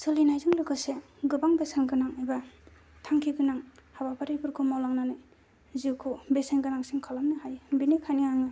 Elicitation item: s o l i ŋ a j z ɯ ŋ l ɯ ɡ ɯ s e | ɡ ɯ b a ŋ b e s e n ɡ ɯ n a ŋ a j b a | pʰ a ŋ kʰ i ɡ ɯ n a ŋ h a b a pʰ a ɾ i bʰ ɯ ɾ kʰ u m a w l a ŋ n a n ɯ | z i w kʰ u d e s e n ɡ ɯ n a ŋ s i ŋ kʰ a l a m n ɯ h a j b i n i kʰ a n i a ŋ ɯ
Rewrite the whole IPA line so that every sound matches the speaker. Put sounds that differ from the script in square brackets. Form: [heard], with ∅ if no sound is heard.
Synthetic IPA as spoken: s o l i [n] a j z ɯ ŋ l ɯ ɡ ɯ s e | ɡ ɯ b a ŋ b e s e n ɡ ɯ n a ŋ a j b a | [tʰ] a ŋ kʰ i ɡ ɯ n a ŋ h a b a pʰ a ɾ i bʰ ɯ ɾ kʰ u m a w l a ŋ n a n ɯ | z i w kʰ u [b] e s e n ɡ ɯ n a ŋ s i ŋ kʰ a l a m n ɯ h a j b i n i kʰ a n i a ŋ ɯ